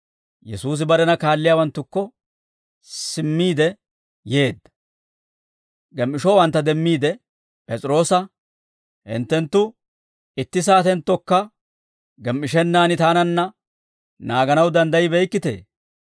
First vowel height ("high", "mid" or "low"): mid